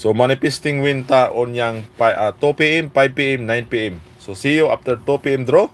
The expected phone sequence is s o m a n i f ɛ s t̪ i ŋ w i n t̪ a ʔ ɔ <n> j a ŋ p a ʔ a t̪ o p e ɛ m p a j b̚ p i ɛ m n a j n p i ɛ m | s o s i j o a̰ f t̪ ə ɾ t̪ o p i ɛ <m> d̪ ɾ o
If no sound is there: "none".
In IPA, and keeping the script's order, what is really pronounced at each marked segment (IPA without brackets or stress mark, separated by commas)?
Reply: n, m